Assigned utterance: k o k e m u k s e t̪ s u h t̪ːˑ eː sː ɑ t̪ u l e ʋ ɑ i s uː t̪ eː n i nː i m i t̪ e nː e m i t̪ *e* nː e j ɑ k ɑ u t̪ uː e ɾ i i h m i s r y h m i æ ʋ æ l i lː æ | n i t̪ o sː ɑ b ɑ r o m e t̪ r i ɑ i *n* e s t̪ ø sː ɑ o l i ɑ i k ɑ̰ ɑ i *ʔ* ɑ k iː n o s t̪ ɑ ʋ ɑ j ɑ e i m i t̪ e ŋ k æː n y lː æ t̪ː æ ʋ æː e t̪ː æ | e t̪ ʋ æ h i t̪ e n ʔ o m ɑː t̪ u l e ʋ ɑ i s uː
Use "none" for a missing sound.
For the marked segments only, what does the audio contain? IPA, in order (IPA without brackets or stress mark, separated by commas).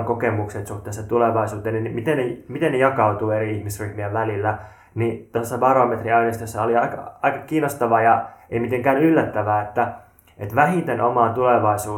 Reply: e, n, k